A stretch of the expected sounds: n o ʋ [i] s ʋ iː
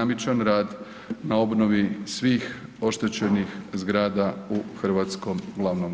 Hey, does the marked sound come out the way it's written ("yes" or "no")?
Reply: yes